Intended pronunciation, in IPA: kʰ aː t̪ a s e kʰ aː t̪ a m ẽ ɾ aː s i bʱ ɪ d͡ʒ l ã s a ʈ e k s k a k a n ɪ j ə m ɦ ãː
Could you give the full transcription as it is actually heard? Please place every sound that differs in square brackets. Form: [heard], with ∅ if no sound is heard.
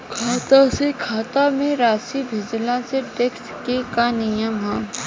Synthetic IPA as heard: kʰ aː t̪ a s e kʰ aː t̪ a m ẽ ɾ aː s i bʱ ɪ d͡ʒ l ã s [e] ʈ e k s k [e] k a n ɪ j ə m ɦ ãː